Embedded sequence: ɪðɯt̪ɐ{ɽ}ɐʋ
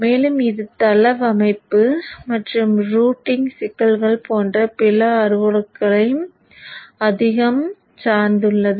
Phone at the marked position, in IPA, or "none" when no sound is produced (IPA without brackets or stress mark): l